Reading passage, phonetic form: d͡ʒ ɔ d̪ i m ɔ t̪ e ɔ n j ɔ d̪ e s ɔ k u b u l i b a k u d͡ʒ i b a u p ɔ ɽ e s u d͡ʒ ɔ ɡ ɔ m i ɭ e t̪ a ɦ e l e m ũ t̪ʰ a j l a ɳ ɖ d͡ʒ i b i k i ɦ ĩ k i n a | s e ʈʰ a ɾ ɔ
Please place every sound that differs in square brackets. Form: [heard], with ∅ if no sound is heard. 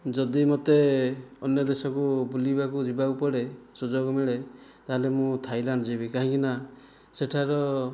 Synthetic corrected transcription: d͡ʒ ɔ d̪ i m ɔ t̪ e ɔ n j ɔ d̪ e s ɔ k u b u l i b a k u d͡ʒ i b a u p ɔ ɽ e s u d͡ʒ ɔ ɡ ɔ m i ɭ e t̪ a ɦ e l e m ũ t̪ʰ a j l a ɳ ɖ d͡ʒ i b i k [a] ɦ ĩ k i n a | s e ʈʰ a ɾ ɔ